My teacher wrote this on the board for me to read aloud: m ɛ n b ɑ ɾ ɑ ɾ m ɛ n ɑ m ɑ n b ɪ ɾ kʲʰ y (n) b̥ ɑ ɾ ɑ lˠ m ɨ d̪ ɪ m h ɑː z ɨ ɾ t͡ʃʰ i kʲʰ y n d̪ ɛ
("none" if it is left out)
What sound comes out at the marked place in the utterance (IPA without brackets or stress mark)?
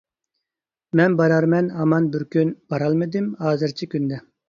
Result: n